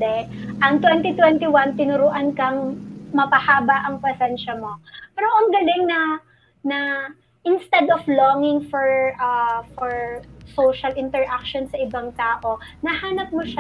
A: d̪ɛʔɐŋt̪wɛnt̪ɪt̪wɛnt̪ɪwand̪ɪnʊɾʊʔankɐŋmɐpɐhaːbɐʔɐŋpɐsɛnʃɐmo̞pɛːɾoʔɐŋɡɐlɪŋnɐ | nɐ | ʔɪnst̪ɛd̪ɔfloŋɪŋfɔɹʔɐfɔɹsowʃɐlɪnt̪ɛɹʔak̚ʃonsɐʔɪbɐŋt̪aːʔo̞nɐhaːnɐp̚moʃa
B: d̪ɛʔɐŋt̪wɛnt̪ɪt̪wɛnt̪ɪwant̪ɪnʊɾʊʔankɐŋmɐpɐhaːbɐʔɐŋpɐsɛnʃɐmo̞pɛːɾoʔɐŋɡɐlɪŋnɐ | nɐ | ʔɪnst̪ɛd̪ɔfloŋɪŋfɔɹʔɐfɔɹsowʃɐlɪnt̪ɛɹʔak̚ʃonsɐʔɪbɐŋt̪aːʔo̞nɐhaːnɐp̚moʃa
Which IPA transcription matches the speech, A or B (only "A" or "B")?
B